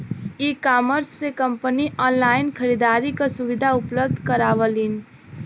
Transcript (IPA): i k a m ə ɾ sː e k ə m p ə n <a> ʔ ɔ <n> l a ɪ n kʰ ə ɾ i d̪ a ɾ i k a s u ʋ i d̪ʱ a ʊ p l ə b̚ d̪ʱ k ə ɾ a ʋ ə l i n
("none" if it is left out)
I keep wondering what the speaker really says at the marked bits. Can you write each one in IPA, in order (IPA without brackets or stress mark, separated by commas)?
i, n